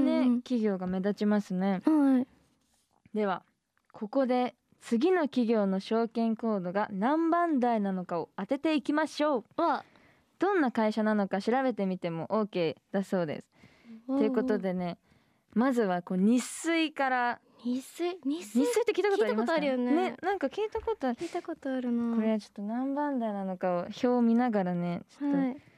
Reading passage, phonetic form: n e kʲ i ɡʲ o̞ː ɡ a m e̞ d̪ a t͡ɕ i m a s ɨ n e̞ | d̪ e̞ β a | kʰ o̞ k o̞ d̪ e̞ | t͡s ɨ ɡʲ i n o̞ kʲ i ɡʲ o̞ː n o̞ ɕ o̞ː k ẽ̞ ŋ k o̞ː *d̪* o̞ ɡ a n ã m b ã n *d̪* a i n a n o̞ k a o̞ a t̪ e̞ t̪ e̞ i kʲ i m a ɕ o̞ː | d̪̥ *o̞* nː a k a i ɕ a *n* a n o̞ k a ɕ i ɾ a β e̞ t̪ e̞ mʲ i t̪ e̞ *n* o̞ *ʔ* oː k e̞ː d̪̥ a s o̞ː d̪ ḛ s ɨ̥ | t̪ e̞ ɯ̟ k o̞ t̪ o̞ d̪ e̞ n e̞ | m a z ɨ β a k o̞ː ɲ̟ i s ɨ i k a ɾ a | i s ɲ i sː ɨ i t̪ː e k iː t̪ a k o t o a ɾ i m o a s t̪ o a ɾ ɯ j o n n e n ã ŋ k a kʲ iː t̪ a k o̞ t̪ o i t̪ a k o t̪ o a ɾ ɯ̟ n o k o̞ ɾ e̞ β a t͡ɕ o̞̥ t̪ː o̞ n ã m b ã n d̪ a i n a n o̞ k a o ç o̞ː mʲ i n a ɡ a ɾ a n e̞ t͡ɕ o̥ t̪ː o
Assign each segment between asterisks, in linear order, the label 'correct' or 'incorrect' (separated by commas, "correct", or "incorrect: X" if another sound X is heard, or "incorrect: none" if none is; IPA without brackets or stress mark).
correct, correct, incorrect: õ̞, correct, incorrect: m, correct